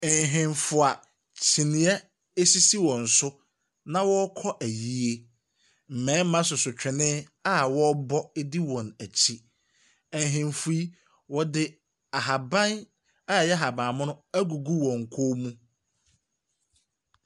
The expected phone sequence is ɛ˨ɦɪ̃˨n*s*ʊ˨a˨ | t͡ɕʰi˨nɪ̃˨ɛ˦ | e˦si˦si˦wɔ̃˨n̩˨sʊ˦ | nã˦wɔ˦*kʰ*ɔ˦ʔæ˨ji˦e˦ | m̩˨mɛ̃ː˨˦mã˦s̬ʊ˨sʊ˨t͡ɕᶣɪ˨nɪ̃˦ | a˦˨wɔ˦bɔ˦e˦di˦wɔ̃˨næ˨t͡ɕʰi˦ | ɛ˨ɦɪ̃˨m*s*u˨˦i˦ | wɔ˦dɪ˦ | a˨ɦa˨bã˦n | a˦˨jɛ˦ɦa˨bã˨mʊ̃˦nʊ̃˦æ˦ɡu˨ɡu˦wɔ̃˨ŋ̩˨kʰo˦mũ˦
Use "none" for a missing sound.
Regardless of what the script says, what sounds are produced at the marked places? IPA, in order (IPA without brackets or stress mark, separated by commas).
f, kʰ, f